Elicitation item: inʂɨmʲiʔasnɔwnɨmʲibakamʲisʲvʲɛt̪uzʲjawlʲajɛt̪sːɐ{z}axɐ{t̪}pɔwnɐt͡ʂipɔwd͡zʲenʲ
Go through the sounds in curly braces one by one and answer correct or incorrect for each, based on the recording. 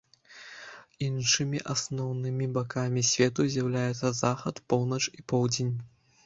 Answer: correct, correct

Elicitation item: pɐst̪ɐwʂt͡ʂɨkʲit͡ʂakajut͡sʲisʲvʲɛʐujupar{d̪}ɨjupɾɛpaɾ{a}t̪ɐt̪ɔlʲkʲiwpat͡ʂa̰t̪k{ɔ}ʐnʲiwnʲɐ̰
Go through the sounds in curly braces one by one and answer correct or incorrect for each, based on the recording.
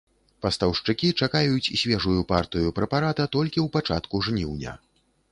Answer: incorrect, correct, incorrect

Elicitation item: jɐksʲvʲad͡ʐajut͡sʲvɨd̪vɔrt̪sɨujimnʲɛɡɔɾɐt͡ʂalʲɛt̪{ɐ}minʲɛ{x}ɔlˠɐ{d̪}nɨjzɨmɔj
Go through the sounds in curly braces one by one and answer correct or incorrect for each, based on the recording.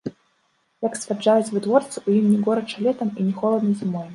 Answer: correct, correct, correct

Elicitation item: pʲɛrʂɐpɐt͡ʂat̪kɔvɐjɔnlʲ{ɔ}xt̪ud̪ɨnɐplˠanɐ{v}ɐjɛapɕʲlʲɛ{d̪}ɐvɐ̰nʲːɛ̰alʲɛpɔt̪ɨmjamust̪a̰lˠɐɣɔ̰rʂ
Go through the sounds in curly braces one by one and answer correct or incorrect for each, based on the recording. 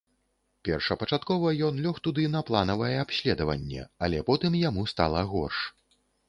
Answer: correct, correct, correct

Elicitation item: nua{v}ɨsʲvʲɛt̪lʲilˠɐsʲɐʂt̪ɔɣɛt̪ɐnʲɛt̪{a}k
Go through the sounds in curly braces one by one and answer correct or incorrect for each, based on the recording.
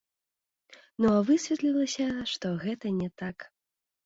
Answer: correct, correct

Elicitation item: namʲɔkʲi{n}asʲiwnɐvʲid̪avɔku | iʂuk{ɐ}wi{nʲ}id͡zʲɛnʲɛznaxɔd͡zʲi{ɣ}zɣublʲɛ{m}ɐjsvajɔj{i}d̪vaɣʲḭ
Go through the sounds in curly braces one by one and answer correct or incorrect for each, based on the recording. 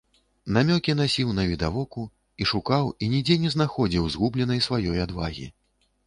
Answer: correct, incorrect, correct, incorrect, incorrect, incorrect

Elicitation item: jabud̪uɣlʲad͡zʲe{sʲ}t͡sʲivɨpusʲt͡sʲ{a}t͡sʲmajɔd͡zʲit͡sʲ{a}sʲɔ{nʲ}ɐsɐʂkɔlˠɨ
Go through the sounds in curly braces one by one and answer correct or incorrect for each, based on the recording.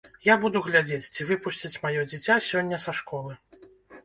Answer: incorrect, incorrect, correct, incorrect

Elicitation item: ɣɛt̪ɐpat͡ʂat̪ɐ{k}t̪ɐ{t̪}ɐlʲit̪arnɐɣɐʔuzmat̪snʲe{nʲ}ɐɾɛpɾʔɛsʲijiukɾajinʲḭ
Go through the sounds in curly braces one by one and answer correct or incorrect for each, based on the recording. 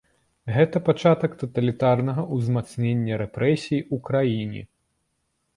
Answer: correct, correct, incorrect

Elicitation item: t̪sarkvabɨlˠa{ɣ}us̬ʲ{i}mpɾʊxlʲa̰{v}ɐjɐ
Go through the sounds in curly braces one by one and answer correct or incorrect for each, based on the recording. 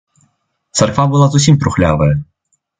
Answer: incorrect, correct, correct

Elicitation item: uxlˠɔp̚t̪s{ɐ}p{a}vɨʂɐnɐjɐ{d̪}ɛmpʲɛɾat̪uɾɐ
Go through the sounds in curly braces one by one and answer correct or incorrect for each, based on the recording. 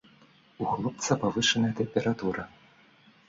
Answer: correct, correct, incorrect

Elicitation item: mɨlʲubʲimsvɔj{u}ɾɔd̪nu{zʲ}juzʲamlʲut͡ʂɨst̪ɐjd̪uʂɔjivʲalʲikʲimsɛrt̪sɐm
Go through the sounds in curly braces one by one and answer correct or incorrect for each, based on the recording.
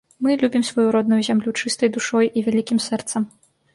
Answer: correct, incorrect

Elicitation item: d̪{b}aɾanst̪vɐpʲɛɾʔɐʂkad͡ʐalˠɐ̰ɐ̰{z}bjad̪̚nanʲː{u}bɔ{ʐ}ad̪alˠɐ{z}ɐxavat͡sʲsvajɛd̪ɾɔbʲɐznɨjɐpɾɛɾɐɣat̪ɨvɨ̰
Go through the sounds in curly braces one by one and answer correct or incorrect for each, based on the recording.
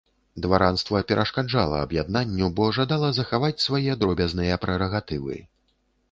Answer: incorrect, incorrect, correct, correct, correct

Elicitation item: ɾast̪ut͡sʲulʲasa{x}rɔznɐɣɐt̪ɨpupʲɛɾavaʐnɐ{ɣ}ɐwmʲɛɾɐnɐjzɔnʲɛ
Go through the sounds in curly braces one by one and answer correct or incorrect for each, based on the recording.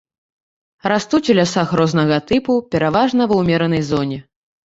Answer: correct, incorrect

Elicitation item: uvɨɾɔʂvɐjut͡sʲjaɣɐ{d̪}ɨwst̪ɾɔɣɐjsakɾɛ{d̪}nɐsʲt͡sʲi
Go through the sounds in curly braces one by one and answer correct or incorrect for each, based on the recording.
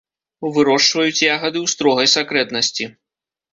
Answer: correct, incorrect

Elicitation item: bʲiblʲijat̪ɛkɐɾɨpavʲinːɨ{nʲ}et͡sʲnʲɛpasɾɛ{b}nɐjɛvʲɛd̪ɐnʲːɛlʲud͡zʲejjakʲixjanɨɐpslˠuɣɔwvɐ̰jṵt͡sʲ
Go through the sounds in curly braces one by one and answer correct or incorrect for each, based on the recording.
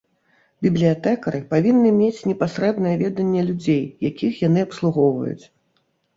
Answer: incorrect, correct

